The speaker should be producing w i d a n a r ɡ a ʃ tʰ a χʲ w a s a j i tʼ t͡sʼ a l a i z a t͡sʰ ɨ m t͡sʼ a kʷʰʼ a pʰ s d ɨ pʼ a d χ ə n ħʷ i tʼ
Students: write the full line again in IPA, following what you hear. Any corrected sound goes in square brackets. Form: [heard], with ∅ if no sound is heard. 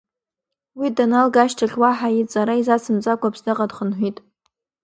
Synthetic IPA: w i d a n a [l] ɡ a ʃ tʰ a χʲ w a [ħ] a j i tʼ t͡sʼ a [ɾ] a i z a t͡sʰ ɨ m t͡sʼ a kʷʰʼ a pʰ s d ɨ [qʼ] a d χ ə n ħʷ i tʼ